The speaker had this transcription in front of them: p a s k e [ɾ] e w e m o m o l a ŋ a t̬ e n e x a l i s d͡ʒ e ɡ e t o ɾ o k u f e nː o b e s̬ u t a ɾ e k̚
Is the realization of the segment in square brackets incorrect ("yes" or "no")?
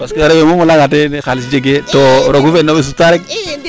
no